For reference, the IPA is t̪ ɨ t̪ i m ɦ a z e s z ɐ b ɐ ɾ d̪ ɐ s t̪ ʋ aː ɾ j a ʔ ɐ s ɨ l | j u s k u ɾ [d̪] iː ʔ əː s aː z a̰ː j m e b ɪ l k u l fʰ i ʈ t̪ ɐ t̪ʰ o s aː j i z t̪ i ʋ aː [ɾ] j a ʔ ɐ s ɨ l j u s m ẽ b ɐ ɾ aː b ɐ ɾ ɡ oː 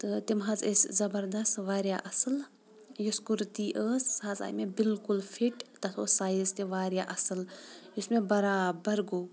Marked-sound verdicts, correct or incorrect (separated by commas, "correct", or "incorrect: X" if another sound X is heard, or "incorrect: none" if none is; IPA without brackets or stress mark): incorrect: t̪, correct